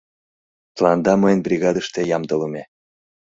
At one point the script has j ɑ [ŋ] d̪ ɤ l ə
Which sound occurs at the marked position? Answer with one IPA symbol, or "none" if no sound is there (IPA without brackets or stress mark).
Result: m